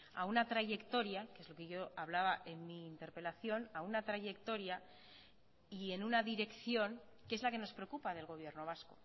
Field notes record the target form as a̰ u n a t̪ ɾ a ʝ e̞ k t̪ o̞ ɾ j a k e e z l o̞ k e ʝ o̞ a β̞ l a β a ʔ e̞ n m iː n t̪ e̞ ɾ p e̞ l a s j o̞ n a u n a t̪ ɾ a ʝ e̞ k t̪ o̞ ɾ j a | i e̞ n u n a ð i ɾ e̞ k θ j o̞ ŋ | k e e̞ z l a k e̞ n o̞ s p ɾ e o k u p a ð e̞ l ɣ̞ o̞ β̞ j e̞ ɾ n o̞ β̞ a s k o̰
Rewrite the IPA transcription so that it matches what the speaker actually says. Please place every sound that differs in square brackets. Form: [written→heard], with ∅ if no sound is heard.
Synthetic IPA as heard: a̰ u n a t̪ ɾ a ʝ e̞ k t̪ o̞ ɾ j a k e e z l o̞ k e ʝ o̞ a β̞ l a β a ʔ e̞ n m iː n t̪ e̞ ɾ p e̞ l a [s→θ] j o̞ n a u n a t̪ ɾ a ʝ e̞ k t̪ o̞ ɾ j a | i e̞ n u n a ð i ɾ e̞ k θ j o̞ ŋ | k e e̞ z l a k e̞ n o̞ s p ɾ e o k u p a ð e̞ l ɣ̞ o̞ β̞ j e̞ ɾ n o̞ β̞ a s k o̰